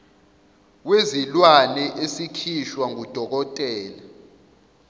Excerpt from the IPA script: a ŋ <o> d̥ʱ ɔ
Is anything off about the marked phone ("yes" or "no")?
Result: yes